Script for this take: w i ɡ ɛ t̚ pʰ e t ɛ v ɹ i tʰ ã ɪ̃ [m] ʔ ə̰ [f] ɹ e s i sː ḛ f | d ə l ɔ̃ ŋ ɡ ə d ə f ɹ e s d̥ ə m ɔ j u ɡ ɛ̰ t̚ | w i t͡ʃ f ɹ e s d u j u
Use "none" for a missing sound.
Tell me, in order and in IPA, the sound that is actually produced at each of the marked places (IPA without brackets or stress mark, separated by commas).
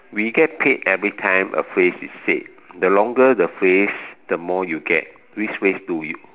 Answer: m, f